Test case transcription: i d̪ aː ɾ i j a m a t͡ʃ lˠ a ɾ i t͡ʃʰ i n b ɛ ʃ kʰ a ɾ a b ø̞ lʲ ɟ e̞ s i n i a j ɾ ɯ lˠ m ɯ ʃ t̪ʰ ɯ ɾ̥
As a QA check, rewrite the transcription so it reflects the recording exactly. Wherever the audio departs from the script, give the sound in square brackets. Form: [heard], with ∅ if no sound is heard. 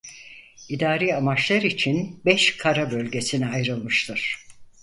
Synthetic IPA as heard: i d̪ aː ɾ i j a m a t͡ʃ lˠ a ɾ i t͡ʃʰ i n b ɛ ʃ kʰ a ɾ a b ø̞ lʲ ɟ e̞ s i n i a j ɾ ɯ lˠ m ɯ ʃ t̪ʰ ɯ ɾ̥